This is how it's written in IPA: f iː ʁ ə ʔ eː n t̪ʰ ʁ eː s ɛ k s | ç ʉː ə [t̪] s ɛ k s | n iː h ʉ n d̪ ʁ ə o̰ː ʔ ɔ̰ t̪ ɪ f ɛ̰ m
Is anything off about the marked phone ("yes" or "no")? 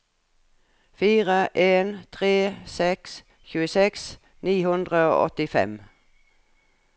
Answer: yes